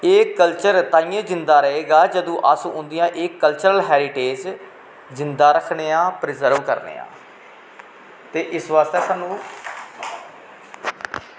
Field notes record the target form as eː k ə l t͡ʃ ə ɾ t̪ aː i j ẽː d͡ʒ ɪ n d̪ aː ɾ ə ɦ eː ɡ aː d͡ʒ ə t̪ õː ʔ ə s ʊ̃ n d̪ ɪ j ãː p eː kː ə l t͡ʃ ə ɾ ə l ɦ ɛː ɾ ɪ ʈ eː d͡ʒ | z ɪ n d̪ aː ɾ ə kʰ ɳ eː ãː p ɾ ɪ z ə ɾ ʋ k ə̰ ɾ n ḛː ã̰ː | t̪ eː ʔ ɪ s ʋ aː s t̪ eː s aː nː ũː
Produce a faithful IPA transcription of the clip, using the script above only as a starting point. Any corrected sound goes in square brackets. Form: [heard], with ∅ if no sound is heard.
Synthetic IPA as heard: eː k ə l t͡ʃ ə ɾ t̪ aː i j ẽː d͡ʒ ɪ n d̪ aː ɾ ə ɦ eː ɡ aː d͡ʒ ə [d̪] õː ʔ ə s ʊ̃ n d̪ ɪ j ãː [ʔ] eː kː ə l t͡ʃ ə ɾ ə l ɦ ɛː ɾ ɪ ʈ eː d͡ʒ | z ɪ n d̪ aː ɾ ə kʰ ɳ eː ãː p ɾ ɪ z ə ɾ ʋ k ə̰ ɾ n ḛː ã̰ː | t̪ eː ʔ ɪ s ʋ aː s t̪ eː s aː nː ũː